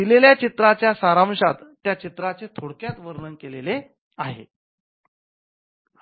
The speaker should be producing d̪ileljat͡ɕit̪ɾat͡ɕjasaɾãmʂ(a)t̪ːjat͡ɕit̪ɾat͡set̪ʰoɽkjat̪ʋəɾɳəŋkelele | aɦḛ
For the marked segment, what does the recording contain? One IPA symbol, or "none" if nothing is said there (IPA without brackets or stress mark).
a